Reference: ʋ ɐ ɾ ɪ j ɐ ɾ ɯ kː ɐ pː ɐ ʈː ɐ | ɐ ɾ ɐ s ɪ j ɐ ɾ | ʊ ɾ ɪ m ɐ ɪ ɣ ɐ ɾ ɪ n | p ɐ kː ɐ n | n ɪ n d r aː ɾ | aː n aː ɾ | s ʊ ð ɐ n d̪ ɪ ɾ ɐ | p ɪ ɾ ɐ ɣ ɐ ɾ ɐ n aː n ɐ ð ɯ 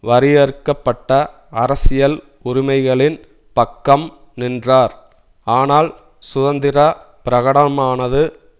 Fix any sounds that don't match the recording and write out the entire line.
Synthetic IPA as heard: ʋ ɐ ɾ ɪ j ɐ ɾ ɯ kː ɐ pː ɐ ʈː ɐ | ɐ ɾ ɐ s ɪ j ɐ l | ʊ ɾ ɪ m ɐ ɪ ɣ ɐ ɭ ɪ n | p ɐ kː ɐ m | n ɪ n d r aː ɾ | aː n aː l | s ʊ ð ɐ n d̪ ɪ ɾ ɐ | p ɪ ɾ ɐ ɣ ɐ ɽ ɐ m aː n ɐ ð ɯ

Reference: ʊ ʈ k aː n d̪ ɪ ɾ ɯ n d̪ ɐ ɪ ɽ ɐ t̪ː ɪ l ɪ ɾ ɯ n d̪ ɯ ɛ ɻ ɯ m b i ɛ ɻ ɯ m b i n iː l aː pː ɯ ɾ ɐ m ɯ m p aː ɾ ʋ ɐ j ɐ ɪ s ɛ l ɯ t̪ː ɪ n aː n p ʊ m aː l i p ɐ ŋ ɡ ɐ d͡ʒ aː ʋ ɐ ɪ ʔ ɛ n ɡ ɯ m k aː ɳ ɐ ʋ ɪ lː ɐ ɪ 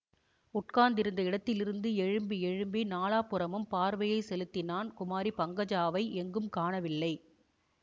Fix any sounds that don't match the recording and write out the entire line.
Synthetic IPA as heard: ʊ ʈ k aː n d̪ ɪ ɾ ɯ n d̪ ɐ ɪ ɽ ɐ t̪ː ɪ l ɪ ɾ ɯ n d̪ ɯ ɛ ɻ ɯ m b i ɛ ɻ ɯ m b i n aː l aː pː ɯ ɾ ɐ m ɯ m p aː ɾ ʋ ɐ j ɐ ɪ s ɛ l ɯ t̪ː ɪ n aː n k ʊ m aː ɾ i p ɐ ŋ ɡ ɐ d͡ʒ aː ʋ ɐ ɪ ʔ ɛ ŋ ɡ ɯ m k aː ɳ ɐ ʋ ɪ lː ɐ ɪ

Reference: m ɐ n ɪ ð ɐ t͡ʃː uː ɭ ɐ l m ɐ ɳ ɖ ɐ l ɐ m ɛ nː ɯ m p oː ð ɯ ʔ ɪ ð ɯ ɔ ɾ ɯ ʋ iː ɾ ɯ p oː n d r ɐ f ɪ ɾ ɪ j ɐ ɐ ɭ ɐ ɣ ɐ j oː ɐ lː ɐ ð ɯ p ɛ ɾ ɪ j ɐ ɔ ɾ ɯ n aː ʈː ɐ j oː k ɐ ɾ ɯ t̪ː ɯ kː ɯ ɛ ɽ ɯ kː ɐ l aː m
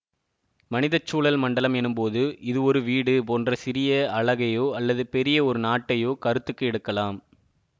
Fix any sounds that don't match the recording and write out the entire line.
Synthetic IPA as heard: m ɐ n ɪ ð ɐ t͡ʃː uː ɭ ɐ l m ɐ ɳ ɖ ɐ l ɐ m ɛ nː ɯ m p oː ð ɯ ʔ ɪ ð ɯ ɔ ɾ ɯ ʋ iː ɽ ɯ p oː n d r ɐ s ɪ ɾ ɪ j ɐ ɐ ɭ ɐ ɣ ɐ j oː ɐ lː ɐ ð ɯ p ɛ ɾ ɪ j ɐ ɔ ɾ ɯ n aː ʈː ɐ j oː k ɐ ɾ ɯ t̪ː ɯ kː ɯ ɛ ɽ ɯ kː ɐ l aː m

